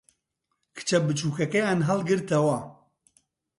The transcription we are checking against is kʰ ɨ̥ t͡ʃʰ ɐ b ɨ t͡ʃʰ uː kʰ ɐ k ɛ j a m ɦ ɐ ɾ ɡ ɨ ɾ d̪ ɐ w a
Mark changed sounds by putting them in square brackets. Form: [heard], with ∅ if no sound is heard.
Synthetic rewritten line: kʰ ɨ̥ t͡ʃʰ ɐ b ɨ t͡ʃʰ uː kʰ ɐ k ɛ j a [n] ɦ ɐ [l] ɡ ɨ ɾ [t̪] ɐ w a